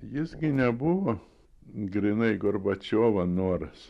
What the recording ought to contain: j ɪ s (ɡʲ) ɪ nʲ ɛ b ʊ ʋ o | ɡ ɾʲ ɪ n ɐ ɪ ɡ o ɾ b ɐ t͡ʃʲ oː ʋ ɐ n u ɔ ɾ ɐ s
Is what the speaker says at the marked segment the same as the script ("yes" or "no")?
yes